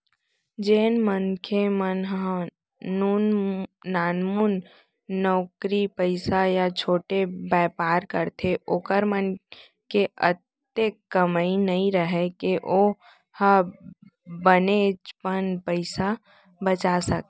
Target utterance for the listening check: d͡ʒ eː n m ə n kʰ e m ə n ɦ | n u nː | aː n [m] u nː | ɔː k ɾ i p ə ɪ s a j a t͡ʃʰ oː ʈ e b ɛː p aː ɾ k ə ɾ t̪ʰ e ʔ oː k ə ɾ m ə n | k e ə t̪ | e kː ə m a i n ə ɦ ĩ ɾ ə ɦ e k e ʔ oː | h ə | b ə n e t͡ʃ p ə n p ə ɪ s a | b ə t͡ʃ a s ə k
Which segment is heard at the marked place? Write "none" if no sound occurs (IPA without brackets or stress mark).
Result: m